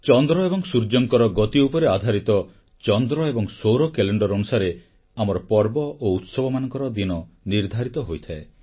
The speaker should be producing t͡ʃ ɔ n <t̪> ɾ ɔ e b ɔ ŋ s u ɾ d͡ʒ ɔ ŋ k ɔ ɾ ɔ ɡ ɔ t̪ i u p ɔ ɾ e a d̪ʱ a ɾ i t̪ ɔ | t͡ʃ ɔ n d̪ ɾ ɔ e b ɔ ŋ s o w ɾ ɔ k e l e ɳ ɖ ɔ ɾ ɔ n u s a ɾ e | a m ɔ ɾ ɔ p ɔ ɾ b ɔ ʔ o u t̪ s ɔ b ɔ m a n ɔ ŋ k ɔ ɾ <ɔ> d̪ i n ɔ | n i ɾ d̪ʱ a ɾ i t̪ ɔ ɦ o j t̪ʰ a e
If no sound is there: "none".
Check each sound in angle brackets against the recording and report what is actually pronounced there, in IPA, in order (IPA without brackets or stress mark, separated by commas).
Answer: d̪, ɔ